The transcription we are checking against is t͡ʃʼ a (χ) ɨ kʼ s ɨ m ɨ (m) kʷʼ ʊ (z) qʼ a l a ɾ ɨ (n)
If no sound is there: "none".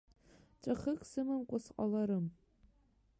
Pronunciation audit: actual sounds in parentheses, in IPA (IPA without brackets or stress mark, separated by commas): χ, m, s, m